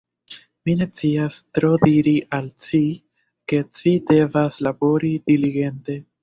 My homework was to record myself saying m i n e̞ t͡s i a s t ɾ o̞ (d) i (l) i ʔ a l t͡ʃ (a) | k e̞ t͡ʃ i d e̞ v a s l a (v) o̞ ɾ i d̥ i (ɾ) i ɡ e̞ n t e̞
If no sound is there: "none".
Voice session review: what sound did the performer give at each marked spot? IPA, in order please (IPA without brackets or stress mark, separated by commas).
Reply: d, ɾ, i, b, l